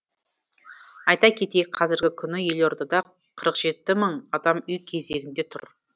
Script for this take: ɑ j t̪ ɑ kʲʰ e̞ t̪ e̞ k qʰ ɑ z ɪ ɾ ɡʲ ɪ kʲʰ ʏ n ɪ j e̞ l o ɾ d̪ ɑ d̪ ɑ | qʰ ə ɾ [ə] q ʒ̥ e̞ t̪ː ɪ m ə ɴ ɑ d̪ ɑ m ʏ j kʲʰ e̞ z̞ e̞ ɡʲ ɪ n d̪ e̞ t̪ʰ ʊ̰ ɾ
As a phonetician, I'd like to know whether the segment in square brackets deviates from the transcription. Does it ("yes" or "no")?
no